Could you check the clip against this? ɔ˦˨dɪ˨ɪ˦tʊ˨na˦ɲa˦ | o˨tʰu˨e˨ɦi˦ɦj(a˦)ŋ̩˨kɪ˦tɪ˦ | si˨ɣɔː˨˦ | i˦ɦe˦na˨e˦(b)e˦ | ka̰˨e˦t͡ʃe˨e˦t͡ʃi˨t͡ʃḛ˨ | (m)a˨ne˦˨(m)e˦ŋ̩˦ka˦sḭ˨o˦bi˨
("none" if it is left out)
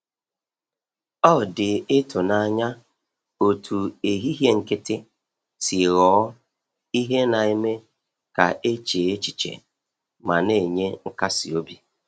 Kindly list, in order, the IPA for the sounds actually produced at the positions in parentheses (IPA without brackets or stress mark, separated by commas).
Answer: e˦, m, m, ɲ